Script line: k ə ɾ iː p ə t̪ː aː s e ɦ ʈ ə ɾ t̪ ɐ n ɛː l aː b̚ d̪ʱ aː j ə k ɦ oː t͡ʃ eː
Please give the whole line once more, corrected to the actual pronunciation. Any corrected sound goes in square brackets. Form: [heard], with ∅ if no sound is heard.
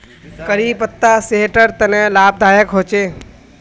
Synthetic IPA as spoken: k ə ɾ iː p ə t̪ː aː s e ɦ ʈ ə ɾ t̪ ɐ n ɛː l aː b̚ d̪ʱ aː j ə k ɦ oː t͡ʃ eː